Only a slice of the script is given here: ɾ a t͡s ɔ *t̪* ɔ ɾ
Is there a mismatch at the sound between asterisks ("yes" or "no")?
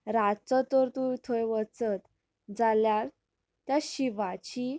no